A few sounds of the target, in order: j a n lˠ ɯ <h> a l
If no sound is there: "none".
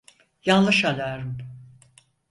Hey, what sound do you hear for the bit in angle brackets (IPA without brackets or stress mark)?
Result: ʃ